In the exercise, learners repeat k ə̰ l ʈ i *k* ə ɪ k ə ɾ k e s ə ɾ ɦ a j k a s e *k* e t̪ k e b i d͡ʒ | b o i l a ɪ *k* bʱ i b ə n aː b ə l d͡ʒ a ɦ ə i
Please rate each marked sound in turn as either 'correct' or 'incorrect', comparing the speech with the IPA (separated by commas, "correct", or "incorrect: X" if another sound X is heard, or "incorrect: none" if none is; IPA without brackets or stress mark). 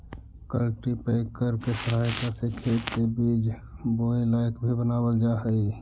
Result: incorrect: p, incorrect: kʰ, correct